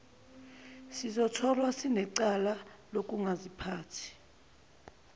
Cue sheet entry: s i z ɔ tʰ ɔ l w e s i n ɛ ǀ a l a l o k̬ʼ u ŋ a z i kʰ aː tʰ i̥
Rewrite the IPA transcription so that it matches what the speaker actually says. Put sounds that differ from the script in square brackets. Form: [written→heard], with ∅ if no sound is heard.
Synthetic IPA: s i z ɔ tʰ ɔ l w [e→a] s i n ɛ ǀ a l a l o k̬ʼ u ŋ a z i [kʰ→pʰ] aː tʰ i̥